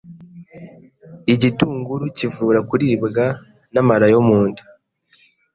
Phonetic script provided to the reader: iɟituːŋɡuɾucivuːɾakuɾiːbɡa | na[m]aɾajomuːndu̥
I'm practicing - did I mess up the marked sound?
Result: no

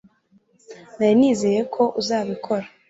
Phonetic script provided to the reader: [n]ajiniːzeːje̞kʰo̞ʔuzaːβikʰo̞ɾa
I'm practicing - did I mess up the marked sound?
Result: no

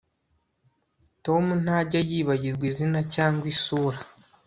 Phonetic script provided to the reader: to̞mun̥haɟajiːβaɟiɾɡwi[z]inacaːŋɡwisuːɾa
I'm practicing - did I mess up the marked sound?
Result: no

